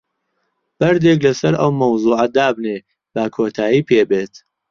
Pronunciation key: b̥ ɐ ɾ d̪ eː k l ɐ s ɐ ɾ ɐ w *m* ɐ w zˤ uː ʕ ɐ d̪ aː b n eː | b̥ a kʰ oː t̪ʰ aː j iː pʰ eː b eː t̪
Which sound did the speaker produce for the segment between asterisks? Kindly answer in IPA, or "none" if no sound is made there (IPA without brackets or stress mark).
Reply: m